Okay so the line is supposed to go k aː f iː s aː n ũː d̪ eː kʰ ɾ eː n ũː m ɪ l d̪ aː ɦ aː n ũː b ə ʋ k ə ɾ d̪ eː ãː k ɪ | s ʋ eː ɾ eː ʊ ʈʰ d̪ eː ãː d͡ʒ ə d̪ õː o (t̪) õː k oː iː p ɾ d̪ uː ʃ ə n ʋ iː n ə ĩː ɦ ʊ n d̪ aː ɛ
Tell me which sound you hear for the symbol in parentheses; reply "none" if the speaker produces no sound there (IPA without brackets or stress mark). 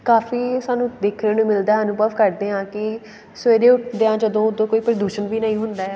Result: d̪